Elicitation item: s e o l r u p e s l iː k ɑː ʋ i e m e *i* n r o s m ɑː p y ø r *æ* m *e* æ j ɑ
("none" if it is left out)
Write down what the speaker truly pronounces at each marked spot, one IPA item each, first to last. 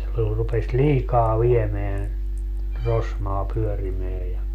æ, i, e

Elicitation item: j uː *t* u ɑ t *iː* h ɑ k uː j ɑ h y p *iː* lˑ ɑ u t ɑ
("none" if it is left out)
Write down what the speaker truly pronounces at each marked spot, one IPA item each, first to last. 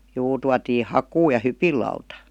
t, iː, i

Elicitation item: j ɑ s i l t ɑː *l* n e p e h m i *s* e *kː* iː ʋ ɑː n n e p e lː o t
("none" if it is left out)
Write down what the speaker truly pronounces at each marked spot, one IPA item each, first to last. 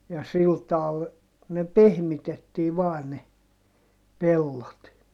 l, t, tː

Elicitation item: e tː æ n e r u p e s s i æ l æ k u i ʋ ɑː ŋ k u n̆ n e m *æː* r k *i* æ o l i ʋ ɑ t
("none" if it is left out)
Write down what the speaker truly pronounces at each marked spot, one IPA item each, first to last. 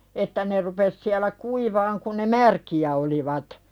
æ, i

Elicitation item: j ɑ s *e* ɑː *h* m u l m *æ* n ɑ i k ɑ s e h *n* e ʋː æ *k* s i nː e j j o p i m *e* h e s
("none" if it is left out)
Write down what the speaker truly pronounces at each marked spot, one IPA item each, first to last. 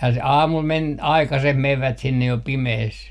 e, none, e, m, t, e

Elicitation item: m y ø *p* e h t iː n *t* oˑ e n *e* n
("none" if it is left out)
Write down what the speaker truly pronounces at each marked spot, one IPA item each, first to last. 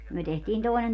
t, t, e

